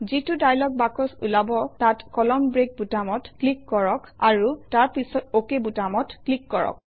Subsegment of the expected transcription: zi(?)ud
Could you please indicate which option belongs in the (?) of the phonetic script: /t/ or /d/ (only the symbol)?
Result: t